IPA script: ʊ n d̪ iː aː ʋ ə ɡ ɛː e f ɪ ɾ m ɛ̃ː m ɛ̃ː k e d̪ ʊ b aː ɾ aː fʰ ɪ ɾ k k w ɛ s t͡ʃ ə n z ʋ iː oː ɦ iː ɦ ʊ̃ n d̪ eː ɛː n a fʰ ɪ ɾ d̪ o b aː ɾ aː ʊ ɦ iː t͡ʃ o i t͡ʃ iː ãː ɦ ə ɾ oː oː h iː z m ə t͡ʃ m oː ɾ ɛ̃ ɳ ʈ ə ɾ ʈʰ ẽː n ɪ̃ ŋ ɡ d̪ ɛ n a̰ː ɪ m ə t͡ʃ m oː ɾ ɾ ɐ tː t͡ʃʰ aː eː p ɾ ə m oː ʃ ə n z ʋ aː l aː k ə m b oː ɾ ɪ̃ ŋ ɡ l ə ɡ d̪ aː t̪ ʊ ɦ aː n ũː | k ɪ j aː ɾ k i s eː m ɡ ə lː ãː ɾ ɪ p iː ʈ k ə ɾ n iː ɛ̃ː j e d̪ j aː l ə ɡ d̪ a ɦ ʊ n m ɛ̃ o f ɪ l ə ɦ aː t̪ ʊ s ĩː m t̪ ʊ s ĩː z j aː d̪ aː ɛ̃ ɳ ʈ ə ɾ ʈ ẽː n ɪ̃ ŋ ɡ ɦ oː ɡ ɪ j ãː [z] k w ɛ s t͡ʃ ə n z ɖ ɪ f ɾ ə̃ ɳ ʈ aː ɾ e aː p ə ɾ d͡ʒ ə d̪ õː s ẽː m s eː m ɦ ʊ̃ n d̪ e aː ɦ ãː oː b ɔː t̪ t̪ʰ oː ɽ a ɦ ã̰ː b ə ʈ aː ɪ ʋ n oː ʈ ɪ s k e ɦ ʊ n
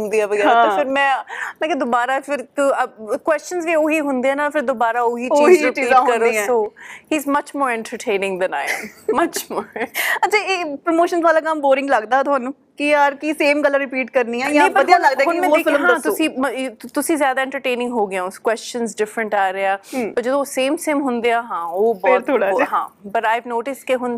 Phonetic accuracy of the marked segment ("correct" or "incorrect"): incorrect